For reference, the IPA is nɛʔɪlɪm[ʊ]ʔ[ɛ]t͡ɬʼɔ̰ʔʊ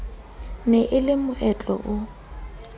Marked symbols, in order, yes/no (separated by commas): yes, yes